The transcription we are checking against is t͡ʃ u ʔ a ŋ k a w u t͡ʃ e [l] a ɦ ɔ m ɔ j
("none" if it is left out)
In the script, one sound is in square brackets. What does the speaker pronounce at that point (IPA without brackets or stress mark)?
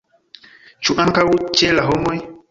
l